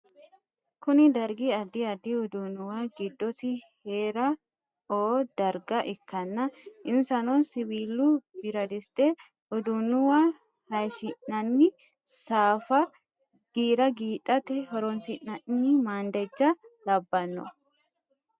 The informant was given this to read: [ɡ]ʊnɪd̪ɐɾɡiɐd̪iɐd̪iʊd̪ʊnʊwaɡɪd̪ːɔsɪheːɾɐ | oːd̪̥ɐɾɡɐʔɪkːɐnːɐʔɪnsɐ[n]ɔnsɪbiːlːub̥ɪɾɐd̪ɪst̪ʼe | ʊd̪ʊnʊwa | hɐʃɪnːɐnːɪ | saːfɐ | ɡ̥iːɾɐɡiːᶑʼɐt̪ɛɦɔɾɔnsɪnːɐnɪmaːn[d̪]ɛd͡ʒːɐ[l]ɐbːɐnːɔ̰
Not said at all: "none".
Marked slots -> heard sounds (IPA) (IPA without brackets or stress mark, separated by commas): k, n, d̪, l